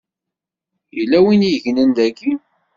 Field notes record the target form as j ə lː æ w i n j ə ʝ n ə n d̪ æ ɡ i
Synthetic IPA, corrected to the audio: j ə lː æ w i n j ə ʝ n ə n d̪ æ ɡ i